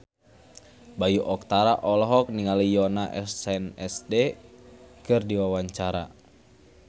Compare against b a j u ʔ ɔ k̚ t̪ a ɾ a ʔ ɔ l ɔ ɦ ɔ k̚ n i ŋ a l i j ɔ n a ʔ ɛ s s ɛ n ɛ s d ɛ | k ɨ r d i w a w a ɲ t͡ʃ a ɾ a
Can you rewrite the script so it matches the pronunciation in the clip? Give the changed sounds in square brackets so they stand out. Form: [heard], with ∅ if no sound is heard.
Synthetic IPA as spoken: b a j u ʔ ɔ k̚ t̪ a ɾ a ʔ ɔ l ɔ ɦ ɔ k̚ n i ŋ a l i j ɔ n a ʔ ɛ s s ɛ n ɛ s d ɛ | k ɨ r d i w a w a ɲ t͡ʃ a ɾ a